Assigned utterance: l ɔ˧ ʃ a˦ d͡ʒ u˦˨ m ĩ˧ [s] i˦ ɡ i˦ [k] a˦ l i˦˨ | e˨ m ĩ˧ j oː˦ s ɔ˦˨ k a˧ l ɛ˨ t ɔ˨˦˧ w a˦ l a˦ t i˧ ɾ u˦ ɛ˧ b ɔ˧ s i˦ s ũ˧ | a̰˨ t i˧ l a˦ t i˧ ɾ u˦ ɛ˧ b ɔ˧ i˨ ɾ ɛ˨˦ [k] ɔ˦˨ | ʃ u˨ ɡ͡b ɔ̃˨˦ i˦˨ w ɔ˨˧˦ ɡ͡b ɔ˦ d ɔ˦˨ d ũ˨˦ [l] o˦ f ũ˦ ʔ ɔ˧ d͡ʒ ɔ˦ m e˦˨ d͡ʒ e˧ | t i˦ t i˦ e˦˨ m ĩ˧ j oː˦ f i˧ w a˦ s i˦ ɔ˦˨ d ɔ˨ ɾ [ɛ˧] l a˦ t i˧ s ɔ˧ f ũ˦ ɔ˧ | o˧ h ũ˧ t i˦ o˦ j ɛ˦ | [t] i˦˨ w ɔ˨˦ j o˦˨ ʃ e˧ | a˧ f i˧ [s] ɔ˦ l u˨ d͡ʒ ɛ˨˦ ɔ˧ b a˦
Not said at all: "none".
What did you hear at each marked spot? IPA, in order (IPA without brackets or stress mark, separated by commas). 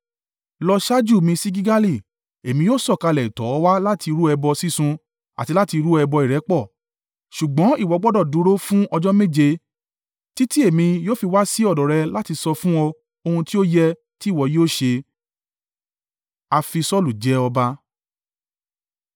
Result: s, ɡ, k͡p, ɾ, ɛ˧, t, s